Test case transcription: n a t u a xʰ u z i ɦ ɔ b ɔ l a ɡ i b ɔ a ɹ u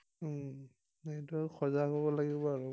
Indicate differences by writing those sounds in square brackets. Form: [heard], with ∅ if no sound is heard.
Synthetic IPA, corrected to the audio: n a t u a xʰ [ɔ] z [a] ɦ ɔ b ɔ l a ɡ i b ɔ a ɹ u